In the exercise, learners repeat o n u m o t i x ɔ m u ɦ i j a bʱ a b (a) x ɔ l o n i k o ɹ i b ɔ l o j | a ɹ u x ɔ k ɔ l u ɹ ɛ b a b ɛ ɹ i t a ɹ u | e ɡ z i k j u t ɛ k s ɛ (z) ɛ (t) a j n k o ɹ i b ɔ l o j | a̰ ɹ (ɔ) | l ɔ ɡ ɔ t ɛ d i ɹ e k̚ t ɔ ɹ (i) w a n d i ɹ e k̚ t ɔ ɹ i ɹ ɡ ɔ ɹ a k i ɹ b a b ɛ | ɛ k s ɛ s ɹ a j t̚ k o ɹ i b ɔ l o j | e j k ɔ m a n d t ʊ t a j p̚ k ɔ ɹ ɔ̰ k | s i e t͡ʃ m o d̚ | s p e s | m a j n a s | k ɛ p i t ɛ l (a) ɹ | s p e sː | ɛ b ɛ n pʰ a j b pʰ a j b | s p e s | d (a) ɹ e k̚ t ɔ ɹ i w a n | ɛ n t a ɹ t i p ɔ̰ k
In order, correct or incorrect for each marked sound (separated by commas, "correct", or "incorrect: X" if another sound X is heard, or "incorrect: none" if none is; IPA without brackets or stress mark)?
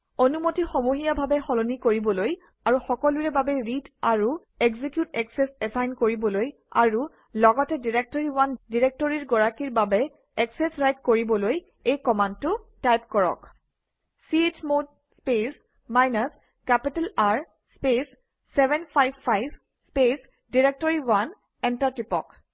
incorrect: ɛ, incorrect: s, incorrect: s, incorrect: u, correct, correct, incorrect: i